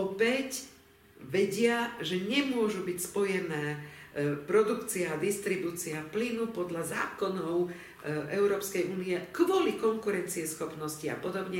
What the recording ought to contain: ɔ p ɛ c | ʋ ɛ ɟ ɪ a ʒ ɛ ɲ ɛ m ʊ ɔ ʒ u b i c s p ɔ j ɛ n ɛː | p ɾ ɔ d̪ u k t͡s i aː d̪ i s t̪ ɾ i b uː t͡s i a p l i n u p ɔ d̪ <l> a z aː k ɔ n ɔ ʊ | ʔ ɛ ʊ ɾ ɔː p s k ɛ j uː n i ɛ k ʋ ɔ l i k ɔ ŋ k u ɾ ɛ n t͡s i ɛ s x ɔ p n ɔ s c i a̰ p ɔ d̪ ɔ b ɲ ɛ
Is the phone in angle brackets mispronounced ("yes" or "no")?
yes